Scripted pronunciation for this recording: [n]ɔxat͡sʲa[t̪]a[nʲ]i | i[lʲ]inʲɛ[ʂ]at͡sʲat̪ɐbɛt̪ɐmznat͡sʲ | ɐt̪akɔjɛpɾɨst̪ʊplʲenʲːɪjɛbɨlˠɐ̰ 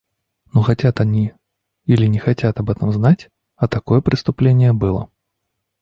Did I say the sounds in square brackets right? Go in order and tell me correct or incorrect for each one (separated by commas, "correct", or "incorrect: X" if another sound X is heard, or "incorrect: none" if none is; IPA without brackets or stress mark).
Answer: correct, correct, correct, correct, incorrect: x